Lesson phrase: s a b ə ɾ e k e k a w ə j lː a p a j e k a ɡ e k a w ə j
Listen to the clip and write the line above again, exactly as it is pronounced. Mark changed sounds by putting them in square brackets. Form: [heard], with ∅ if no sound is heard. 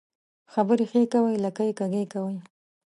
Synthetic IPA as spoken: [x] a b ə ɾ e [x] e k a w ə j [l] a [k] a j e k a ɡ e k a w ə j